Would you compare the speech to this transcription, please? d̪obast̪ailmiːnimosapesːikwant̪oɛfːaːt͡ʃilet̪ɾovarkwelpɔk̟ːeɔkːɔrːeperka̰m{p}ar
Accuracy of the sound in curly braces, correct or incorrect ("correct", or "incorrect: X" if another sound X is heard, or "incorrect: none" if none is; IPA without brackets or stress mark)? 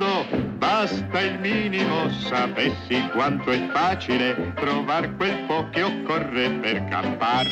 correct